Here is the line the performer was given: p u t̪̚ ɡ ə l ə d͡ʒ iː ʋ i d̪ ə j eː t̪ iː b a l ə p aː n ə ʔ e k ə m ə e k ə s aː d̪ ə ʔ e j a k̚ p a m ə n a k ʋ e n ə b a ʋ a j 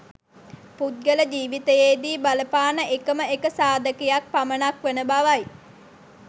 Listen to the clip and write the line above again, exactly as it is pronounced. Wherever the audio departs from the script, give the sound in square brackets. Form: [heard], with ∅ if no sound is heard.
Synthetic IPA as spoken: p u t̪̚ ɡ ə l ə d͡ʒ iː ʋ i [t̪] ə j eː [d̪] iː b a l ə p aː n ə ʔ e k ə m ə e k ə s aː d̪ ə [k] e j a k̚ p a m ə n a k ʋ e n ə b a ʋ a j